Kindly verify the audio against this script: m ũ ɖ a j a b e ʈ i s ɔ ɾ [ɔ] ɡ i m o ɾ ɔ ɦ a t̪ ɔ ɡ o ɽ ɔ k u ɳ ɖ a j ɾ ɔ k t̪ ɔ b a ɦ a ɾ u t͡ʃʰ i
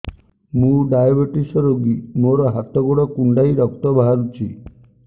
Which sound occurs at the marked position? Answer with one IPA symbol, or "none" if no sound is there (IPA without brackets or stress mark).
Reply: o